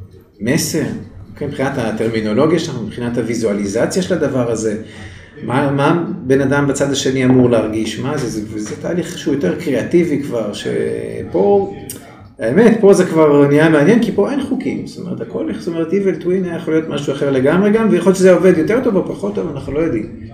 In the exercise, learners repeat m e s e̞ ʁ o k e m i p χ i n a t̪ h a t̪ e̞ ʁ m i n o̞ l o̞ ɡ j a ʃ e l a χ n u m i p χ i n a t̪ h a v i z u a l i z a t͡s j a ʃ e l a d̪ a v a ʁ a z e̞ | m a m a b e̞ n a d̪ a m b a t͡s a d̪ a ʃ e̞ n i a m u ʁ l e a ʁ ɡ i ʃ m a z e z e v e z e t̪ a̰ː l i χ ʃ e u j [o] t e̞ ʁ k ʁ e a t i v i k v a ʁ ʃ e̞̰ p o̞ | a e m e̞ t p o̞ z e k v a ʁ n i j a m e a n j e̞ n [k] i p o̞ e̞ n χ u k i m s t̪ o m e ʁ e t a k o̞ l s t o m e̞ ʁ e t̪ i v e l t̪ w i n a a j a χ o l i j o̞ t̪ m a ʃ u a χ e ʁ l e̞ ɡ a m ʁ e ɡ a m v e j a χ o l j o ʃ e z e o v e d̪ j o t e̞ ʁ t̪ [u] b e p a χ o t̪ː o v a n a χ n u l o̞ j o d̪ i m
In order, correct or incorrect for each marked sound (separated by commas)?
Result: correct, correct, incorrect